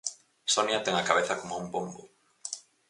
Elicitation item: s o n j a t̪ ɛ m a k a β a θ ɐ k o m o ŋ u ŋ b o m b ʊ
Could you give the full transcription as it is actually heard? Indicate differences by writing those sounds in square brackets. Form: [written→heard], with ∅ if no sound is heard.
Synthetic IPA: s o n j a t̪ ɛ [m→ŋ] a k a β [a→e] θ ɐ k o m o [ŋ→∅] u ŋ b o m b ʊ